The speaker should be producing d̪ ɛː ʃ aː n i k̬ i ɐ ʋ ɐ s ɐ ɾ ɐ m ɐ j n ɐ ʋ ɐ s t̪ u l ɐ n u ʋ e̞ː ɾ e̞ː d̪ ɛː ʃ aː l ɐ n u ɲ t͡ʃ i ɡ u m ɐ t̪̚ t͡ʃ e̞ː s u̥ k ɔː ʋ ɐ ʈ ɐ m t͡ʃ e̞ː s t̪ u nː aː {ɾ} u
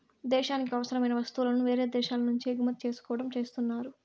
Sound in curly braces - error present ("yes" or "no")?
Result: no